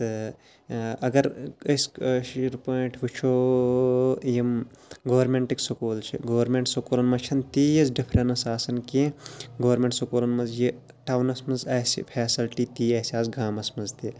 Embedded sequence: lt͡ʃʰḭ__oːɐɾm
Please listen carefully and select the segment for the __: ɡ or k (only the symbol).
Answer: ɡ